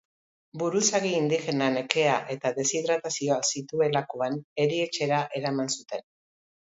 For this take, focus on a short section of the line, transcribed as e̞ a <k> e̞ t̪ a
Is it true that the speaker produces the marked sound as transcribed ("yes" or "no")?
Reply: no